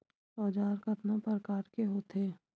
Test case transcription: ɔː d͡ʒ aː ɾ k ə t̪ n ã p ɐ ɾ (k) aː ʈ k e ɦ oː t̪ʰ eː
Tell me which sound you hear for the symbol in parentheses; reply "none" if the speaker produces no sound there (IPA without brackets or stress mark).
k